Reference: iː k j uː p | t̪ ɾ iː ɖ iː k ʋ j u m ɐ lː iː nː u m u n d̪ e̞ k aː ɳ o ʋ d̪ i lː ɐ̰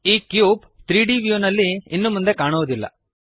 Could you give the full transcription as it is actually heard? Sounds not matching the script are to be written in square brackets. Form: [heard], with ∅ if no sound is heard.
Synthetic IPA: iː k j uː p | t̪ ɾ iː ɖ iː [∅] ʋ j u [n] ɐ lː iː nː u m u n d̪ e̞ k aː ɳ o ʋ d̪ i lː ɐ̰